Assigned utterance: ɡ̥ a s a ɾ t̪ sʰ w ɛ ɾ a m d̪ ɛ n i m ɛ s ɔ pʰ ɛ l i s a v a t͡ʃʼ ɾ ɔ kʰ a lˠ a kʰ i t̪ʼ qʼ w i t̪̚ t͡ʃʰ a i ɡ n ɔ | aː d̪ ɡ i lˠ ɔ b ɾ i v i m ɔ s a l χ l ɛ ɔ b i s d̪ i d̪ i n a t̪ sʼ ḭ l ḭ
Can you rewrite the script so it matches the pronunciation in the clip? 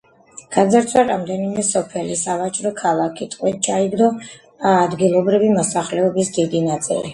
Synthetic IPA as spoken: ɡ̥ a z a ɾ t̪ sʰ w a ɾ a m d̪ ɛ n i m ɛ s ɔ pʰ ɛ l i s a v a t͡ʃʼ ɾ ɔ kʰ a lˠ a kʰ i t̪ʼ qʼ w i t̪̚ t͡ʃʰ a i ɡ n ɔ | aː d̪ ɡ i lˠ ɔ b ɾ i v i m ɔ s a χ l ɛ ɔ b i s d̪ i d̪ i n a t̪ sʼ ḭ l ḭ